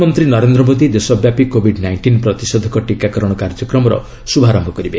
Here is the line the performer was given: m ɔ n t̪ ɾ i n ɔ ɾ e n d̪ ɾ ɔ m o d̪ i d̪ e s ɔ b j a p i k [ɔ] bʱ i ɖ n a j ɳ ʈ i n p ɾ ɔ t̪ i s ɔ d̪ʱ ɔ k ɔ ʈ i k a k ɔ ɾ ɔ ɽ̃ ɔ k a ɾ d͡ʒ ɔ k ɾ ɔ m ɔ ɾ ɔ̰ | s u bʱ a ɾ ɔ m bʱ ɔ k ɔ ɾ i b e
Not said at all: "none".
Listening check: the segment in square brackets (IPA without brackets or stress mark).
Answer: o